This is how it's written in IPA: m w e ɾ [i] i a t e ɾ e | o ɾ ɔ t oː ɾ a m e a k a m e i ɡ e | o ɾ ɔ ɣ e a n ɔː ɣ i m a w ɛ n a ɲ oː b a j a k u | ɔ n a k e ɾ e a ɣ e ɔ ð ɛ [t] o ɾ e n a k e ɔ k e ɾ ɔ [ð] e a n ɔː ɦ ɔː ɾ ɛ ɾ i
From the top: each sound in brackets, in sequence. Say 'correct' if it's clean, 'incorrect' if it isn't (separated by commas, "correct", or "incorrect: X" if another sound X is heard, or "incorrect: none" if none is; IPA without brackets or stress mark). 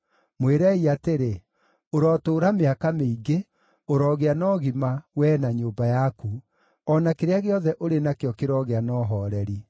incorrect: ɛ, incorrect: ʔ, incorrect: ɣ